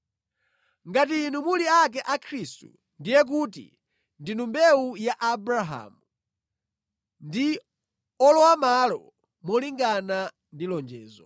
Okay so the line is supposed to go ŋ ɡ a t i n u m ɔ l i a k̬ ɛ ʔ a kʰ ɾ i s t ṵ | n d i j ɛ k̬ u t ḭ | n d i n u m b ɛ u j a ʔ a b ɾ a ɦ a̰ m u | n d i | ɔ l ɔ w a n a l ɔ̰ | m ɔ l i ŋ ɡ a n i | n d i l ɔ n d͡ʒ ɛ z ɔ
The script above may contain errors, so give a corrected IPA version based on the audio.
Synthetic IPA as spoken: ŋ ɡ a t i n u m u l i a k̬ ɛ ʔ a kʰ ɾ i s t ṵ | n d i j ɛ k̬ u t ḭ | n d i n u m b ɛ u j a ʔ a b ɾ a ɦ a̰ m u | n d i | ɔ l ɔ w a m a l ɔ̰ | m ɔ l i ŋ ɡ a n a | n d i l ɔ n d͡ʒ ɛː z ɔ